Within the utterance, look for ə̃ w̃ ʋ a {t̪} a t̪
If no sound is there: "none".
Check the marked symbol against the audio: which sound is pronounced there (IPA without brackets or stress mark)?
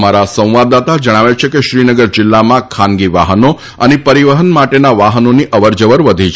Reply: d̪